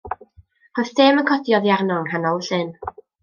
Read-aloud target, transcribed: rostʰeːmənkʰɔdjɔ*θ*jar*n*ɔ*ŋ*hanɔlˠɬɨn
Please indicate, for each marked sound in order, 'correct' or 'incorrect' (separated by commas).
incorrect, correct, correct